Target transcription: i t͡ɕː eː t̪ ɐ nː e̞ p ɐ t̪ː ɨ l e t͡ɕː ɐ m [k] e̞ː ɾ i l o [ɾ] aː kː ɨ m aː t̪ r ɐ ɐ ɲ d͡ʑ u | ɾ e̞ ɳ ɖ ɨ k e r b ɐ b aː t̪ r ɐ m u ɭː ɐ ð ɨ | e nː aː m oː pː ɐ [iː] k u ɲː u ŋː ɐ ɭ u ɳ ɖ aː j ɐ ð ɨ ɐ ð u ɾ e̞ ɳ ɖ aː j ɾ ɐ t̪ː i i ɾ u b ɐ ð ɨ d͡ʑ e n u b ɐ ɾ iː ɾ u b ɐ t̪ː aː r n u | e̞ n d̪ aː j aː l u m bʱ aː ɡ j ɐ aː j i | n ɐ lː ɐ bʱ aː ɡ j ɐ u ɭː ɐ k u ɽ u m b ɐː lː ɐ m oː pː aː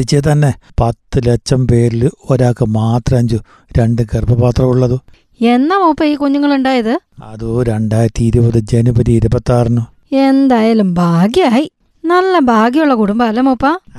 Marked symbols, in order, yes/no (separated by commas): no, yes, yes